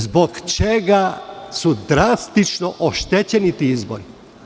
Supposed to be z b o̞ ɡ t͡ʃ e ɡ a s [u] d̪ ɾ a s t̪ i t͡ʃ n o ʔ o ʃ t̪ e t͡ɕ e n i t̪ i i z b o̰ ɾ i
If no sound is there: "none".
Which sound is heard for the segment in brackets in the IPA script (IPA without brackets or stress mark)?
u